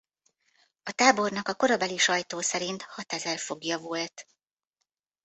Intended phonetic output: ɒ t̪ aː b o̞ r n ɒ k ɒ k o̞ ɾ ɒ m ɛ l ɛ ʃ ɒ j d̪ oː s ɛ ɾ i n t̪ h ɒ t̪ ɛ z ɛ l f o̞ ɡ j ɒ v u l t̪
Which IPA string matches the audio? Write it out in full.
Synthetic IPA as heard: ɒ t̪ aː b o̞ r n ɒ k ɒ k o̞ ɾ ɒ b ɛ l i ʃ ɒ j t̪ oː s ɛ ɾ i n t̪ h ɒ t̪ ɛ z ɛ l f o̞ ɡ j ɒ v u l t̪

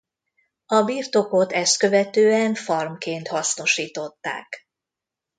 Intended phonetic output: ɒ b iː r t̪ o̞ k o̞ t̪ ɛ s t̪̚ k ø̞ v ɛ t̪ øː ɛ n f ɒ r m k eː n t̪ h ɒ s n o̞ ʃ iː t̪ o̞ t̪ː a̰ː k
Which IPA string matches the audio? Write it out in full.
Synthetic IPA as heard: ɒ b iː r t̪ o̞ k o̞ t̪ ɛ s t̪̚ k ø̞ v ɛ t̪ øː ɛ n f ɒ r m k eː n t̪ h ɒ s n o̞ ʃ iː t̪ o̞ t̪ː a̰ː k

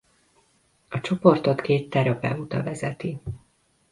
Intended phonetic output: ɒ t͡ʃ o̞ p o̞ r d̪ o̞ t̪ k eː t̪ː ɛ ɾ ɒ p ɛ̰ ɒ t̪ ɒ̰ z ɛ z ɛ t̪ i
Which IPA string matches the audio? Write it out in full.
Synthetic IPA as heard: ɒ t͡ʃ o̞ p o̞ r t̪ o̞ t̪ k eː t̪ː ɛ ɾ ɒ p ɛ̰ u t̪ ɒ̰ v ɛ z ɛ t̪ i

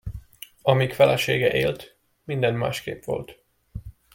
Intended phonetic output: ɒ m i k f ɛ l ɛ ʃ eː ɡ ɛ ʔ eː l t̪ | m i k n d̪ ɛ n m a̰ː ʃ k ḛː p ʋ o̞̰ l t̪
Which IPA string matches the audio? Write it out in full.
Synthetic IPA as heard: ɒ m i k f ɛ l ɛ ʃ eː ɡ ɛ ʔ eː l t̪ | m i n d̪ ɛ n m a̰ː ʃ k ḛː p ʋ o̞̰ l t̪

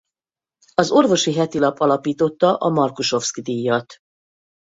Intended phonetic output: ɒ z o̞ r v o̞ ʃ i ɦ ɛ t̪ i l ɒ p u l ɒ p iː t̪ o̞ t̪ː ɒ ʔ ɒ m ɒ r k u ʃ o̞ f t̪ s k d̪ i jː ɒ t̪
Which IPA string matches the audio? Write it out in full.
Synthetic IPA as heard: ɒ z o̞ r v o̞ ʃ i ɦ ɛ t̪ i l ɒ p ɒ l ɒ p iː t̪ o̞ t̪ː ɒ ʔ ɒ m ɒ r k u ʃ o̞ f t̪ s k d̪ i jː ɒ t̪

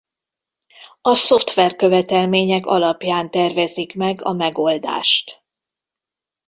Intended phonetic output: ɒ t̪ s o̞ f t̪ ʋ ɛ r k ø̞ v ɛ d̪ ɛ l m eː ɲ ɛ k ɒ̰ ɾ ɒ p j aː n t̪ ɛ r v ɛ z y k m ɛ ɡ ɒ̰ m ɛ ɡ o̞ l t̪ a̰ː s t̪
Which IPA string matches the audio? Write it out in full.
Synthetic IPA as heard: ɒ s o̞ f t̪ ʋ ɛ r k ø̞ v ɛ t̪ ɛ l m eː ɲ ɛ k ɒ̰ l ɒ p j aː n t̪ ɛ r v ɛ z i k m ɛ ɡ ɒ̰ m ɛ ɡ o̞ l d̪ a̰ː ʃ t̪

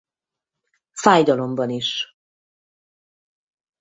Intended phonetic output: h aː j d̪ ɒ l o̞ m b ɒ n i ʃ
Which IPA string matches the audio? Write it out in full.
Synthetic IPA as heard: f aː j d̪ ɒ l o̞ m b ɒ n i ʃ

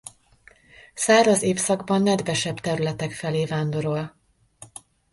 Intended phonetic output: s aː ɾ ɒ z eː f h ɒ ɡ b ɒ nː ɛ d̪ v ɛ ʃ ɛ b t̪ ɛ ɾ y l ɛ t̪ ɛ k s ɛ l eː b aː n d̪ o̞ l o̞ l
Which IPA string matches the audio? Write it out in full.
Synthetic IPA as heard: s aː ɾ ɒ z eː f s ɒ ɡ b ɒ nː ɛ d̪ v ɛ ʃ ɛ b t̪ ɛ ɾ y l ɛ t̪ ɛ k f ɛ l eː v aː n d̪ o̞ ɾ o̞ l

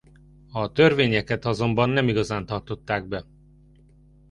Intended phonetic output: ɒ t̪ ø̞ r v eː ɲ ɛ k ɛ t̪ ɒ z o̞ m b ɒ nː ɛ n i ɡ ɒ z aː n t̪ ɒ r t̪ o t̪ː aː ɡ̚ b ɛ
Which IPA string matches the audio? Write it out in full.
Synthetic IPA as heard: ɒ t̪ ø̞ r v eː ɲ ɛ k ɛ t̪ ɒ z o̞ m b ɒ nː ɛ m i ɡ ɒ z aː n t̪ ɒ r t̪ o t̪ː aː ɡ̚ b ɛ

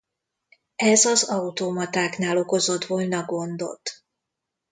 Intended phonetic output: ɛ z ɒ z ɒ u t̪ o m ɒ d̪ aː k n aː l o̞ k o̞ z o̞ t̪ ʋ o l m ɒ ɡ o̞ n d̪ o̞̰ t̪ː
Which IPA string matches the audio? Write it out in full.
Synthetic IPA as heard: ɛ z ɒ z ɒ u t̪ o m ɒ t̪ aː k n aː l o̞ k o̞ z o̞ t̪ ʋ o l n ɒ ɡ o̞ n d̪ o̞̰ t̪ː

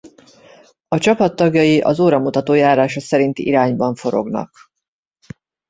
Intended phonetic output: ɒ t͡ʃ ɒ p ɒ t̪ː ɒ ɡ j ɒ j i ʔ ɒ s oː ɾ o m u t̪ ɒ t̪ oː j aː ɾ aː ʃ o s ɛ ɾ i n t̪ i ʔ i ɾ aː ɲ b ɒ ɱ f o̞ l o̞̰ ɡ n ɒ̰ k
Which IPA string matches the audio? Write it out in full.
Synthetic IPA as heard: ɒ t͡ʃ ɒ p ɒ t̪ː ɒ ɡ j ɒ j i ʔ ɒ z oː ɾ ɒ m u t̪ ɒ t̪ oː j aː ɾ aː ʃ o s ɛ ɾ i n t̪ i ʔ i ɾ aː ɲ b ɒ ɱ f o̞ ɾ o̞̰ ɡ n ɒ̰ k

